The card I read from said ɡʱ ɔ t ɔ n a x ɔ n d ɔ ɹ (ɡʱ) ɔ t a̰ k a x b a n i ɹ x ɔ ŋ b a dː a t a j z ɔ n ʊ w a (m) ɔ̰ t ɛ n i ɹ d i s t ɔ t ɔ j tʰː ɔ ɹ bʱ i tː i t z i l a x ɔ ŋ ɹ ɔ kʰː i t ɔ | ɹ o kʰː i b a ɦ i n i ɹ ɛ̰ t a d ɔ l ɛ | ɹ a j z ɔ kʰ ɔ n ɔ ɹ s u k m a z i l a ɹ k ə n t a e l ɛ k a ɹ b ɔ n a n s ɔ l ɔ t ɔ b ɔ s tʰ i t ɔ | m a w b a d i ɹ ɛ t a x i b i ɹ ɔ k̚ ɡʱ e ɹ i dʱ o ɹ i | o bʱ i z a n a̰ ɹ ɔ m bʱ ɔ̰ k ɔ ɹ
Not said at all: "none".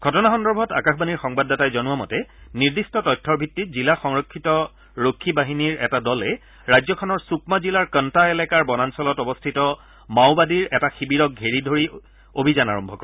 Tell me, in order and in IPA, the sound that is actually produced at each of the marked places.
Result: bʱ, m

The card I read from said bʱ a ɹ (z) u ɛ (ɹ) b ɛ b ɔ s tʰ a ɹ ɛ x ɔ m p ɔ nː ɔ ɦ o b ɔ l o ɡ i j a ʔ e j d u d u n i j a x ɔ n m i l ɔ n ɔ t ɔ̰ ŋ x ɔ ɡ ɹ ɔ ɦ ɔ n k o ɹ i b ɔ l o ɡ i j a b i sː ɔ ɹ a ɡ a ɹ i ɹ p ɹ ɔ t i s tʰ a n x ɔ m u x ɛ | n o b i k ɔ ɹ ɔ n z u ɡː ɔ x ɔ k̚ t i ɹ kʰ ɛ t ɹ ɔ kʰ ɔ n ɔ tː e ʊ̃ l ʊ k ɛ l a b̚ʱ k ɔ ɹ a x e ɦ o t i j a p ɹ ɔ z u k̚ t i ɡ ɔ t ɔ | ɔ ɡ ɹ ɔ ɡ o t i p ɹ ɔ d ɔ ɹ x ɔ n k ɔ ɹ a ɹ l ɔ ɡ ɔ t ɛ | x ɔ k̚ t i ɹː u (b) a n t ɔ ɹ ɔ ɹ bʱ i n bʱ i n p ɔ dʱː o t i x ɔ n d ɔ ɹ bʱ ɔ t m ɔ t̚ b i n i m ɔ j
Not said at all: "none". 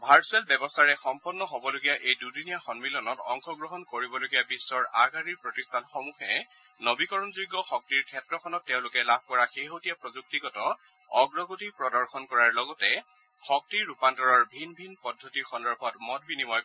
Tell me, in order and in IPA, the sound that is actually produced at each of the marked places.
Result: s, l, p

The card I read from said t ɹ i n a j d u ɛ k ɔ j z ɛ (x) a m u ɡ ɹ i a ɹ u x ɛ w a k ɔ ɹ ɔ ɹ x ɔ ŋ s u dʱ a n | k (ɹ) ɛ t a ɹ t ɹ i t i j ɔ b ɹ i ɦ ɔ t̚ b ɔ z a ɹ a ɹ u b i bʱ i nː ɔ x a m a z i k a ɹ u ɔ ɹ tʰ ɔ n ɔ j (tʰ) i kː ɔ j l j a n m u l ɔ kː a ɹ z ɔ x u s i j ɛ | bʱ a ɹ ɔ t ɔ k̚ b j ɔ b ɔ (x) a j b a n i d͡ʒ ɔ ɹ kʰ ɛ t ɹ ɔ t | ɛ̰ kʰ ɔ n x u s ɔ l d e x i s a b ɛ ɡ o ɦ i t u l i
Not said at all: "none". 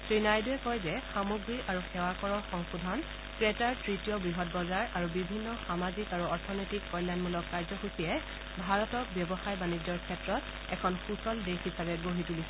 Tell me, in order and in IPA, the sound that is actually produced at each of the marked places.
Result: x, ɹ, t, x

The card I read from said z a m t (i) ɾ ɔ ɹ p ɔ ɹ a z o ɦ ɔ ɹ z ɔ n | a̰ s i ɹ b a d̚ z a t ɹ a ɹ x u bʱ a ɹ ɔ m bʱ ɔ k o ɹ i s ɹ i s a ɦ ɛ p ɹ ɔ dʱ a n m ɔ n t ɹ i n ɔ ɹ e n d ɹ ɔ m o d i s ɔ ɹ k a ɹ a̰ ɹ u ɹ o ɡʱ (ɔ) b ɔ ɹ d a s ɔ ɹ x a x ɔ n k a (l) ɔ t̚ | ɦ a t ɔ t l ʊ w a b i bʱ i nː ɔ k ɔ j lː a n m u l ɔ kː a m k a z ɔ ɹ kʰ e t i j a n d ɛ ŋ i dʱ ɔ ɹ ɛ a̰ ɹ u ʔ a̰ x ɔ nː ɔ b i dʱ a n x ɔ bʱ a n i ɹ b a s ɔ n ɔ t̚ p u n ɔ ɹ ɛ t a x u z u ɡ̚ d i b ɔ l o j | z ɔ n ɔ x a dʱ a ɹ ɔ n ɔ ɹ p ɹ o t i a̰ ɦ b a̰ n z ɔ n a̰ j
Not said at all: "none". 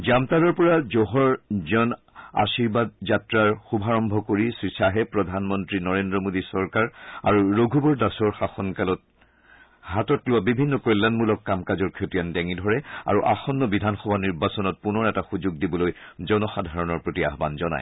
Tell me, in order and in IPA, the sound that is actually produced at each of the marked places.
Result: a, u, l

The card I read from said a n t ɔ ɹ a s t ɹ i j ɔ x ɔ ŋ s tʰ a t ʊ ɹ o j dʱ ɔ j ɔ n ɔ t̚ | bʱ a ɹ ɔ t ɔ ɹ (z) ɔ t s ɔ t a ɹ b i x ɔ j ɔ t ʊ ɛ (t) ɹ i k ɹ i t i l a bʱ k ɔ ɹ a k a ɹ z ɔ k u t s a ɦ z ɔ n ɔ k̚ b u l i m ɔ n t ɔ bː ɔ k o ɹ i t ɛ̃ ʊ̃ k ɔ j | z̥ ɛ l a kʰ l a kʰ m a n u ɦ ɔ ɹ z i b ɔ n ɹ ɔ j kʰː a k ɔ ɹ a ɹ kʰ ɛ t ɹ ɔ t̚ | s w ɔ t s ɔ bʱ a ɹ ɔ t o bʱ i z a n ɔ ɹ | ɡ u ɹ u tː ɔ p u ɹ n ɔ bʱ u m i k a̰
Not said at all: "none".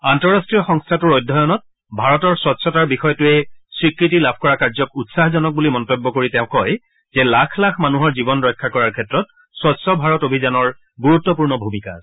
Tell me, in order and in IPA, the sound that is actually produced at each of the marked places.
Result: s, s

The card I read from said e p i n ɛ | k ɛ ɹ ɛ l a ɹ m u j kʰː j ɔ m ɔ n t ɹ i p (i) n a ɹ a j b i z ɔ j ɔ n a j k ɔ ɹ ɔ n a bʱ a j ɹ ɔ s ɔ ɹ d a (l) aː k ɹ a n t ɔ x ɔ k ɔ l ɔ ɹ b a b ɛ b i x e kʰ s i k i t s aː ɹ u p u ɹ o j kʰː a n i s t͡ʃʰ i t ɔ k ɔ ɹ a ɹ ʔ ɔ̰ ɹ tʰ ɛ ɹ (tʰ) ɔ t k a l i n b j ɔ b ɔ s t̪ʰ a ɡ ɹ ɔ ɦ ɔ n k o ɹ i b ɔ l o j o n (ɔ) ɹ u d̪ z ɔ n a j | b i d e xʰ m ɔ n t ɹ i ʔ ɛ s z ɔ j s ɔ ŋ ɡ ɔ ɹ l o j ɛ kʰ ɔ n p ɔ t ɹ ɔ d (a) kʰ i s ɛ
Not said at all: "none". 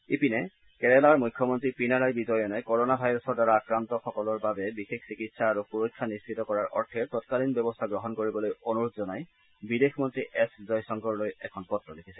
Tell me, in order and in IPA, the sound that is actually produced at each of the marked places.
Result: i, ɹ, t, u, e

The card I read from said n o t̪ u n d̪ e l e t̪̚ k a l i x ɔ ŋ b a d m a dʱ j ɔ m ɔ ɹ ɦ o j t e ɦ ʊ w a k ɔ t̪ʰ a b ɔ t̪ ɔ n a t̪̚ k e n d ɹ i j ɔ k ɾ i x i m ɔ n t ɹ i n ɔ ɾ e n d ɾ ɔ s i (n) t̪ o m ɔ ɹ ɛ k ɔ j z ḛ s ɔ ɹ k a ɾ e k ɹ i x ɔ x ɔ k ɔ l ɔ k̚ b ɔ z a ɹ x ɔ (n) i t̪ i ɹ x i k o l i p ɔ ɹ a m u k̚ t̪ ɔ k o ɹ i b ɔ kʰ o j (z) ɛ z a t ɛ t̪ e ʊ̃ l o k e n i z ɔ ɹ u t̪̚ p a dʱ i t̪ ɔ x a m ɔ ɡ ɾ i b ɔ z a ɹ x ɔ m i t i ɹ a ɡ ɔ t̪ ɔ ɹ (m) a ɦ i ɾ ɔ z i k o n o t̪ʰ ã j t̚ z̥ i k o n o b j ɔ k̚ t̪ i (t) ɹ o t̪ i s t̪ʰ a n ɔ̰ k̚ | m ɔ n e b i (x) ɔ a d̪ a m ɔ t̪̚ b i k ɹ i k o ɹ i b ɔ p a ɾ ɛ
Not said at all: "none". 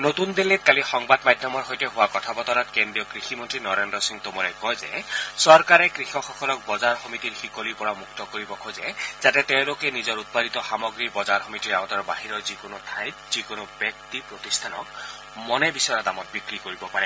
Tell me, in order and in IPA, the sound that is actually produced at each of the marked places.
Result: ŋ, m, z, b, p, s

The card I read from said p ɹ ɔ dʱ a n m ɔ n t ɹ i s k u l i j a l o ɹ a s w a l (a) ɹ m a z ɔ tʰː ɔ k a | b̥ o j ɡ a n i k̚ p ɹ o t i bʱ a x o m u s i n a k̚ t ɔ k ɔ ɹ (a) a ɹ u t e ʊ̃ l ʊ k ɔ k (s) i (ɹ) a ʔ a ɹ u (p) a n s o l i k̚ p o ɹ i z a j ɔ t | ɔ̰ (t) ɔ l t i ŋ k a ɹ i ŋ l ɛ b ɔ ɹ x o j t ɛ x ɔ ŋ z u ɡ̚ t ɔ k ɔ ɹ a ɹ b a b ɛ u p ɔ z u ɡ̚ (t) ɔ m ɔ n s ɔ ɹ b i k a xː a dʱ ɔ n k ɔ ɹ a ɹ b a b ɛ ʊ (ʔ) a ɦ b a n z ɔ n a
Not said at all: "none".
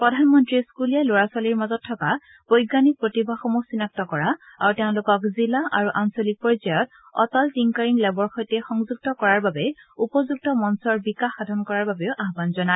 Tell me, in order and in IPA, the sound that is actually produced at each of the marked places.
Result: i, a, z, l, ʔ, t, t, ʔ

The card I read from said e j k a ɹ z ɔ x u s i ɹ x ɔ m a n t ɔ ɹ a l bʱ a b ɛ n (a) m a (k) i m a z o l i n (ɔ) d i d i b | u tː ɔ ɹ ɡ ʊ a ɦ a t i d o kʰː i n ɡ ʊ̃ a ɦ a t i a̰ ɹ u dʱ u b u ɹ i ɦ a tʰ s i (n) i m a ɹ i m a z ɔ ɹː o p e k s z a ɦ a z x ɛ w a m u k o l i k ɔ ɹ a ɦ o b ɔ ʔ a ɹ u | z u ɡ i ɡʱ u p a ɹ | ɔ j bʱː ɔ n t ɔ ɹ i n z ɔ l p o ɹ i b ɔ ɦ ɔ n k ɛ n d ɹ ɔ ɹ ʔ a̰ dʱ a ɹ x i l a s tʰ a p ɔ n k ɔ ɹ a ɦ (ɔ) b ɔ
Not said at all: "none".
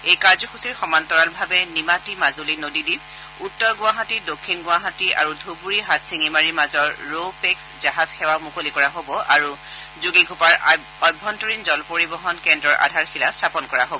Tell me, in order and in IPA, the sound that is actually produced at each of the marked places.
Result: i, t, o, ŋ, o

